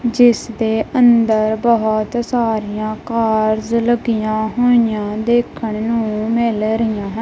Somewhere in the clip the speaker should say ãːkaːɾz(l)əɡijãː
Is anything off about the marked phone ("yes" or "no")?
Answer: no